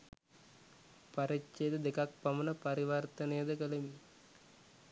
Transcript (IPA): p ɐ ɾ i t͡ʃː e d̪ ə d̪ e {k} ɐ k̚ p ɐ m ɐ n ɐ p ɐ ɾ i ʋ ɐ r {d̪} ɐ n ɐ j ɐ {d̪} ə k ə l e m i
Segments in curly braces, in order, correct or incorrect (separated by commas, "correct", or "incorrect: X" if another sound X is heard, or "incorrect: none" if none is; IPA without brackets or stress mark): correct, incorrect: t̪, correct